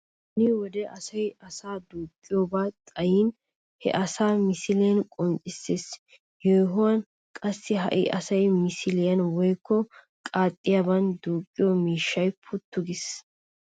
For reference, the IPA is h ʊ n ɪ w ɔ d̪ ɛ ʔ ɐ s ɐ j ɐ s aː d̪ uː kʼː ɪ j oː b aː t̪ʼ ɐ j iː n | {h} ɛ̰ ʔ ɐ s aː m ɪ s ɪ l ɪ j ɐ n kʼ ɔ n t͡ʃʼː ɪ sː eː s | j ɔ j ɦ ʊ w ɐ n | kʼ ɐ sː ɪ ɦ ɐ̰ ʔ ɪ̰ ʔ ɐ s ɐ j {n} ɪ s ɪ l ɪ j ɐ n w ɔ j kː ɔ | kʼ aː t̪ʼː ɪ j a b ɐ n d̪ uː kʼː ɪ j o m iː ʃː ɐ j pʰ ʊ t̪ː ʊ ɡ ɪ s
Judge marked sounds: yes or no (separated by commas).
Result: yes, no